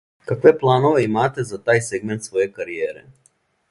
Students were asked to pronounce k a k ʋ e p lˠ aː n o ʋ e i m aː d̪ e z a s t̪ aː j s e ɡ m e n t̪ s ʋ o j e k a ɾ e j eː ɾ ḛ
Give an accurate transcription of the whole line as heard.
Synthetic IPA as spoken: k a k ʋ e p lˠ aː n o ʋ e i m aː t̪ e z a t̪ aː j s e ɡ m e n t̪ s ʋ o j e k a ɾ i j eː ɾ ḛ